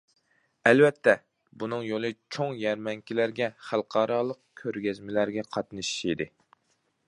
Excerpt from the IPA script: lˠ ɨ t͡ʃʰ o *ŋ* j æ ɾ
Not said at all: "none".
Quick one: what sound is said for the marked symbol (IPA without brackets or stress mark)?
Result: ŋ